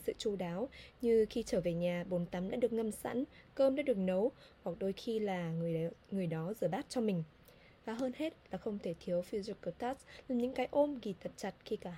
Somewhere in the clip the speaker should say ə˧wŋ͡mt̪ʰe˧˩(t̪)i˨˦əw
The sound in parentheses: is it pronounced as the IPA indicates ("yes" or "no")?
no